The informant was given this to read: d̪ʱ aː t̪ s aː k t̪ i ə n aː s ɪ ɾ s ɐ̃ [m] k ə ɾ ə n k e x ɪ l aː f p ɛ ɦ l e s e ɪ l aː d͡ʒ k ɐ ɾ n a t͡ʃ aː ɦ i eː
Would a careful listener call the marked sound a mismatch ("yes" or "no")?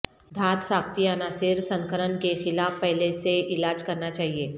yes